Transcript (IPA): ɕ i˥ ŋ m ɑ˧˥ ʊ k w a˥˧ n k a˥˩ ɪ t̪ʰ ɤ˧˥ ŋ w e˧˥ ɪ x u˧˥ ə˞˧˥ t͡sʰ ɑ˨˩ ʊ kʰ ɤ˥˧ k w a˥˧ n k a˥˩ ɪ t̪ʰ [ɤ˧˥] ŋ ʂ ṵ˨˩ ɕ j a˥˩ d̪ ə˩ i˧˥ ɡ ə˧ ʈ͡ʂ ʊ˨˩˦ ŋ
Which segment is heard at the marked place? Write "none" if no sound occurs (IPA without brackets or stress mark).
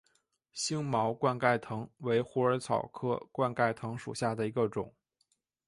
ɤ˧˥